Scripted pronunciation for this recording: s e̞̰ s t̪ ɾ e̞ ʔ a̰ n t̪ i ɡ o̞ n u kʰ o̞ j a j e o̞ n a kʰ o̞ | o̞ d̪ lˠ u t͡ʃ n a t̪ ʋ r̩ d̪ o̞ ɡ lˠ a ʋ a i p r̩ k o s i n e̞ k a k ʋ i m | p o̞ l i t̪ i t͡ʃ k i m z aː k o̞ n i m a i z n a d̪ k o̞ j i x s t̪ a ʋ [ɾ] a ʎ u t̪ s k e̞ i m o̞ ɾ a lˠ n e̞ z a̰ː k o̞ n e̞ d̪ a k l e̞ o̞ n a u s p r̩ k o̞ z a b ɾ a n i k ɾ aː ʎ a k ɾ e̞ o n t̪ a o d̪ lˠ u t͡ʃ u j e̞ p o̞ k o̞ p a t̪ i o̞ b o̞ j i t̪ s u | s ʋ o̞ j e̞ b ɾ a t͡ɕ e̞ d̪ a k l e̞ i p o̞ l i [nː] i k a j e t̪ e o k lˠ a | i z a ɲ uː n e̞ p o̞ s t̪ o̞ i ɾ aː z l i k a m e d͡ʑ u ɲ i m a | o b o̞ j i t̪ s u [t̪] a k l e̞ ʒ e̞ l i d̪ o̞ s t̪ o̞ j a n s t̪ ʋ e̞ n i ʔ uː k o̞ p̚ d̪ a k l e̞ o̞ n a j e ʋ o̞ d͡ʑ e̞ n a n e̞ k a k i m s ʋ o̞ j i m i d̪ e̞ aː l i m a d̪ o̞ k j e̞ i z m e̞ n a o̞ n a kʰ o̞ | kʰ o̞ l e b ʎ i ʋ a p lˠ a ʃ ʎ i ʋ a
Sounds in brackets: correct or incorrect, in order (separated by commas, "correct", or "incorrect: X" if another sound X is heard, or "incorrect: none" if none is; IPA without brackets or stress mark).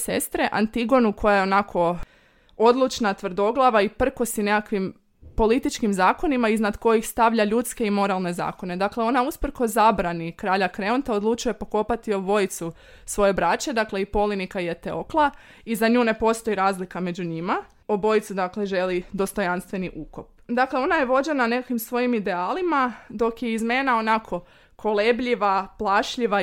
incorrect: ʎ, incorrect: n, incorrect: d̪